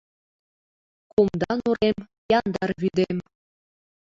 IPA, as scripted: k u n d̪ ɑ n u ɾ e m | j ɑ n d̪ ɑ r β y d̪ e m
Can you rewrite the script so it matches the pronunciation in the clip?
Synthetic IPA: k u m d̪ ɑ n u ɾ e m | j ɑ n d̪ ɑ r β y d̪ e m